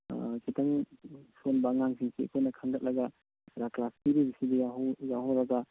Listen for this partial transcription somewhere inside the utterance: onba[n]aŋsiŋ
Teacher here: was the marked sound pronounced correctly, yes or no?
no